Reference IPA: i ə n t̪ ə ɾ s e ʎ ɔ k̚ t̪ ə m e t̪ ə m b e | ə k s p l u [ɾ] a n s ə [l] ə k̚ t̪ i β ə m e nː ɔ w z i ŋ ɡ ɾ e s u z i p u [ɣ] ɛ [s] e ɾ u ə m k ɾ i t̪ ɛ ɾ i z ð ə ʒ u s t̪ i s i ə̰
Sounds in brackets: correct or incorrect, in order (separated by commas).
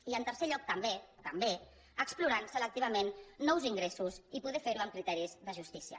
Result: correct, correct, incorrect, incorrect